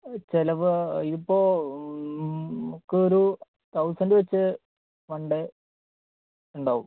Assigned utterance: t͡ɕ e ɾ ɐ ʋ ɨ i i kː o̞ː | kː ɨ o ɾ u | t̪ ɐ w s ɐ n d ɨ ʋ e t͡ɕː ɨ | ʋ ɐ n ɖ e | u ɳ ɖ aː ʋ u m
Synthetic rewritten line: t͡ɕ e l ɐ ʋ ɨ i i pː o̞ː | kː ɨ o ɾ u | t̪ ɐ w s ɐ n d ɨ ʋ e t͡ɕː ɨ | ʋ ɐ ɳ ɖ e | u ɳ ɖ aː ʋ u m